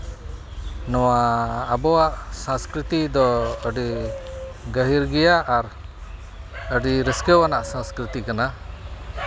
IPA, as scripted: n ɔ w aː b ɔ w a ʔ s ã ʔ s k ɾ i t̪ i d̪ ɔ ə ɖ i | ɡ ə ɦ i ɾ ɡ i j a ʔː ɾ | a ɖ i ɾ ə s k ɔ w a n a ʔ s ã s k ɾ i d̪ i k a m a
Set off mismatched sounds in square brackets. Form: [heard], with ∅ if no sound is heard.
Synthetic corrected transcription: n ɔ w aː b ɔ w a ʔ s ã [∅] s k ɾ i t̪ i d̪ ɔ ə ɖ i | ɡ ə ɦ i ɾ ɡ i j a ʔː ɾ | [ə] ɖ i ɾ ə s k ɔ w a n a ʔ s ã s k ɾ i [t̪] i k a [n] a